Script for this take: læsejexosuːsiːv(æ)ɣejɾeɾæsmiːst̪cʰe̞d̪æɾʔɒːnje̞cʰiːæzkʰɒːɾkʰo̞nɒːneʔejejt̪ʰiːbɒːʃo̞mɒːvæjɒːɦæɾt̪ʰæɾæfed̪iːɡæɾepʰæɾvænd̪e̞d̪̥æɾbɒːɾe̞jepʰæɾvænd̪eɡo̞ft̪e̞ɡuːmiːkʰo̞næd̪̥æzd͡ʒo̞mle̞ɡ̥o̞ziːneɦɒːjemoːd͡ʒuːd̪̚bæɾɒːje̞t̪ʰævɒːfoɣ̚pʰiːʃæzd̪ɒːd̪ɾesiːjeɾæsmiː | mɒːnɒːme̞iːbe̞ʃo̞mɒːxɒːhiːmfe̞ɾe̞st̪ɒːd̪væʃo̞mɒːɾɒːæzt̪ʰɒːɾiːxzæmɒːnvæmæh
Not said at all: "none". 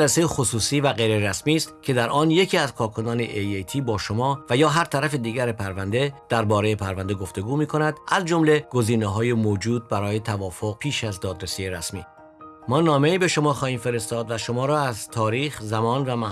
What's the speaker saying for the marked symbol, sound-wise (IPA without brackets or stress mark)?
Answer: æ